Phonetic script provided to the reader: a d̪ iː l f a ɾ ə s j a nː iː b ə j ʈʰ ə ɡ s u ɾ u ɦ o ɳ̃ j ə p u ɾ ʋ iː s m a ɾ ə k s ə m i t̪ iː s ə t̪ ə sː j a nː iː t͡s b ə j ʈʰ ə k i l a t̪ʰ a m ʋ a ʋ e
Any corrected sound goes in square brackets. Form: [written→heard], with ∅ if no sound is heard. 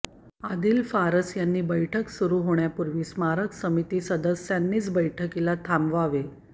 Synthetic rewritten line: a d̪ iː l f a ɾ ə s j a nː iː b ə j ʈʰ ə [ɡ→k] s u ɾ u ɦ o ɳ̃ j [ə→a] p u ɾ ʋ iː s m a ɾ ə k s ə m i t̪ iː s ə [t̪→d̪] ə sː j a nː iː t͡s b ə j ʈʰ ə k i l a t̪ʰ a m ʋ a ʋ e